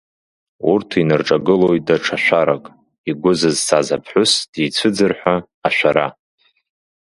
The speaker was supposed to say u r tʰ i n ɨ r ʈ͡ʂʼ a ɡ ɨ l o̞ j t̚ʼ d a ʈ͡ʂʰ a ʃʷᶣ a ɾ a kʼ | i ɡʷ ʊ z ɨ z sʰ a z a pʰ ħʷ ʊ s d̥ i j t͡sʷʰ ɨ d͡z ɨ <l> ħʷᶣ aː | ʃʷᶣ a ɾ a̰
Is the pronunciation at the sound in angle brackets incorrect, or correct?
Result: incorrect: r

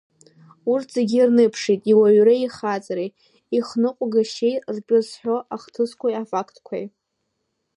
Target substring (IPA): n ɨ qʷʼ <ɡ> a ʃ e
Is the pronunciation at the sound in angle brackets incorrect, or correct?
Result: correct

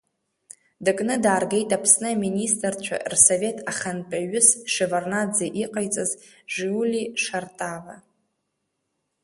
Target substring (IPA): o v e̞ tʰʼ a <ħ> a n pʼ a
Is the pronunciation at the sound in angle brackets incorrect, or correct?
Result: incorrect: χ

